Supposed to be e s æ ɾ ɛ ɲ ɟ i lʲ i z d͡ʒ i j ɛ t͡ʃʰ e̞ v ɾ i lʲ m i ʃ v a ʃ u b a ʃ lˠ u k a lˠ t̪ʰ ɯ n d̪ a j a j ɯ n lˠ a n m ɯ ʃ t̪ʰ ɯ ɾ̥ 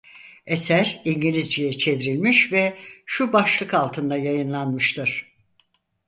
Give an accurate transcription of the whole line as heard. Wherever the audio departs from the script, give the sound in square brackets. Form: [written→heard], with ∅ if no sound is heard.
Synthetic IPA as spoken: e s æ ɾ [ɛ→i] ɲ ɟ i lʲ i z d͡ʒ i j ɛ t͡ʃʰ e̞ v ɾ i lʲ m i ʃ v [a→ɛ] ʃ u b a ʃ lˠ [u→ɯ] k a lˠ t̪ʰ ɯ n d̪ a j a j ɯ n lˠ a n m ɯ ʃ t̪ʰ ɯ ɾ̥